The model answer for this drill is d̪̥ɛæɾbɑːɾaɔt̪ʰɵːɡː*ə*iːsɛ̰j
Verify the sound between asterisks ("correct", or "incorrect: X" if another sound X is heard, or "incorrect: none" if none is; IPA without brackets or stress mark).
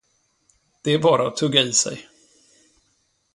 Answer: incorrect: a